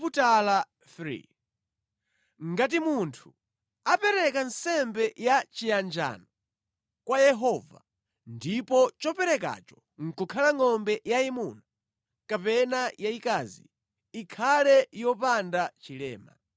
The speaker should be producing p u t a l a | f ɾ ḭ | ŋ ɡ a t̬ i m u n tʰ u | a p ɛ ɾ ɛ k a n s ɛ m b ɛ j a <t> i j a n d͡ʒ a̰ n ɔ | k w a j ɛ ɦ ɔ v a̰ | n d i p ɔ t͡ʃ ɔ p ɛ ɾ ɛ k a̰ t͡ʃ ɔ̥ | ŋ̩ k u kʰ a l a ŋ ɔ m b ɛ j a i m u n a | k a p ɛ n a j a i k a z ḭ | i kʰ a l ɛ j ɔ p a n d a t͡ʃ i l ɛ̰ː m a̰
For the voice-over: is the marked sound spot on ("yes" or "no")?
no